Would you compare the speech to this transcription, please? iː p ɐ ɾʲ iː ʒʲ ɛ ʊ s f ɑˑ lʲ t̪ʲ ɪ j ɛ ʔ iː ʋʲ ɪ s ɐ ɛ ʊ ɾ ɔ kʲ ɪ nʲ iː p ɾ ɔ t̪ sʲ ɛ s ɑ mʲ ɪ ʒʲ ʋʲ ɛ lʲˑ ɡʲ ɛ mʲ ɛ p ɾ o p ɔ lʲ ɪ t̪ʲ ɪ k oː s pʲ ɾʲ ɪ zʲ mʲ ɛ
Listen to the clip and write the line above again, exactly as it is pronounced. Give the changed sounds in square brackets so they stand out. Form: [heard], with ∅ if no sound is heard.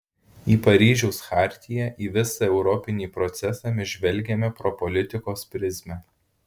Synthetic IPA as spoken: iː p ɐ ɾʲ iː ʒʲ ɛ ʊ s [x] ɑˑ [ɾʲ] t̪ʲ ɪ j ɛ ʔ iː ʋʲ ɪ s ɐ ɛ ʊ ɾ ɔ [pʲ] ɪ nʲ iː p ɾ ɔ t̪ sʲ ɛ s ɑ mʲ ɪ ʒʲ ʋʲ ɛ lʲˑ ɡʲ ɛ mʲ ɛ p ɾ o p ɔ lʲ ɪ t̪ʲ ɪ k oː s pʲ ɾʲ ɪ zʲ mʲ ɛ